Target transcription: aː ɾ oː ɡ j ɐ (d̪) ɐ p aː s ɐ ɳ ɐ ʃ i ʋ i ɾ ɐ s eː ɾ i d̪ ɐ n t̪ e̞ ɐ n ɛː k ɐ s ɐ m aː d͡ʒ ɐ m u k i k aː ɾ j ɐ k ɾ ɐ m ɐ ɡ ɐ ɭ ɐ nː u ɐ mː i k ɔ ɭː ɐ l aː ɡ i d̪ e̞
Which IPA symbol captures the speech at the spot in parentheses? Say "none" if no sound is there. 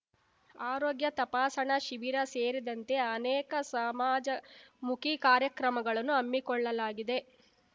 t̪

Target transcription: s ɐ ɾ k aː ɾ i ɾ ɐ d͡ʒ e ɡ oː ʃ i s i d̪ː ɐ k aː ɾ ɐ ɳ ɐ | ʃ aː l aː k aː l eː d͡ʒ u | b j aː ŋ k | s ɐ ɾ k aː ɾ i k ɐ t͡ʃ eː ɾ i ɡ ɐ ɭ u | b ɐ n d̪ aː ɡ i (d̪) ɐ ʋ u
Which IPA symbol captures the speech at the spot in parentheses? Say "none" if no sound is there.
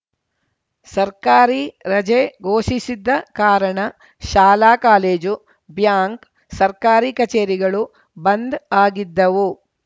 d̪ː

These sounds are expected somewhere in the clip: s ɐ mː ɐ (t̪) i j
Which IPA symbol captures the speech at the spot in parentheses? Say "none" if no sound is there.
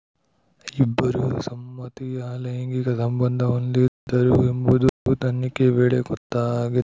t̪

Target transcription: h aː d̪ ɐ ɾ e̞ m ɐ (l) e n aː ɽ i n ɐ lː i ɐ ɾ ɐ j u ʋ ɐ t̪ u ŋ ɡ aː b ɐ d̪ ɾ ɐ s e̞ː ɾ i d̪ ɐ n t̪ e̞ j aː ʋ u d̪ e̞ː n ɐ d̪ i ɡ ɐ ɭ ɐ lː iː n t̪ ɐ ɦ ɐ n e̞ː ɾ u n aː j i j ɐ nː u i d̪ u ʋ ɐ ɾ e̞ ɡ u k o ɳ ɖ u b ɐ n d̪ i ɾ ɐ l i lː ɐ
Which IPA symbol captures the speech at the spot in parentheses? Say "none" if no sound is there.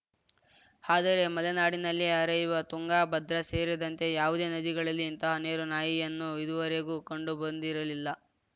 l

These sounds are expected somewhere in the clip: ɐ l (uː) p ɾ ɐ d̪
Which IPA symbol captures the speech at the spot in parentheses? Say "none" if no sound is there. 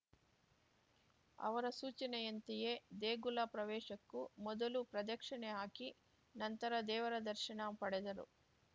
u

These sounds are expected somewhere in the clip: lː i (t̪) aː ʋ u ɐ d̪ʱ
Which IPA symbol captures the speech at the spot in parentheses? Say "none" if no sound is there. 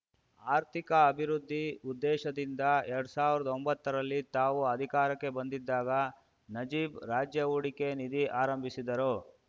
t̪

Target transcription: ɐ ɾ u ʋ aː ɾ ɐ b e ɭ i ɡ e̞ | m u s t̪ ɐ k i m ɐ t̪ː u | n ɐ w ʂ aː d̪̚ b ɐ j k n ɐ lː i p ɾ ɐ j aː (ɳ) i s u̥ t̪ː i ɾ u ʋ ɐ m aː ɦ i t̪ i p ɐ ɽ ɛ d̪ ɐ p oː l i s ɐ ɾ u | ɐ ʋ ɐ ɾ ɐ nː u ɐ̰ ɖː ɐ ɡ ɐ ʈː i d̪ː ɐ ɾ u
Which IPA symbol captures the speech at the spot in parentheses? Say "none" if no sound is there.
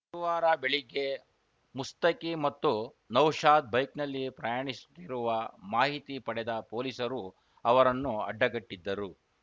ɳ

